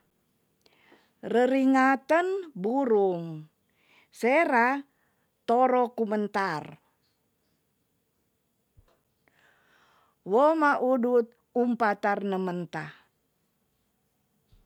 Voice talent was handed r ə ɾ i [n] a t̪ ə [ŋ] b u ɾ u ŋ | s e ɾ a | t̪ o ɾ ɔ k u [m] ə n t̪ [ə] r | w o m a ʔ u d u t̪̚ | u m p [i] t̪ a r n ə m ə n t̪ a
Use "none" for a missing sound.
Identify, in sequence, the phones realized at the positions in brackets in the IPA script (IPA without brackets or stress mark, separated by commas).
ŋ, n, m, a, a